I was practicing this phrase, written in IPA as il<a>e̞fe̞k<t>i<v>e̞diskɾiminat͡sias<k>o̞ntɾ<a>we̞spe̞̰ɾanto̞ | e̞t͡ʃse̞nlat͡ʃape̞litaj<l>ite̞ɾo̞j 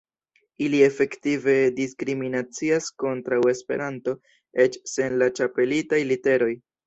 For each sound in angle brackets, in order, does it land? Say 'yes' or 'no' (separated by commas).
no, yes, yes, yes, yes, yes